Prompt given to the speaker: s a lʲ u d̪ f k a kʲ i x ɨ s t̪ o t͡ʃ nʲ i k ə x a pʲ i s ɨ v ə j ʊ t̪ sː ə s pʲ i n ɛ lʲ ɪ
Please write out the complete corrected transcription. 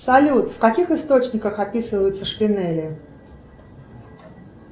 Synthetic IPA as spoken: s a lʲ u t̪ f k a kʲ i x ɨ s t̪ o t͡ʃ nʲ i k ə x a pʲ i s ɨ v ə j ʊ t̪ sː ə ʂ pʲ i n ɛ lʲ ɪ